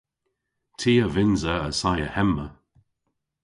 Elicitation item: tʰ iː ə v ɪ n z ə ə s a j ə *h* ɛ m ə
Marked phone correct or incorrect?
correct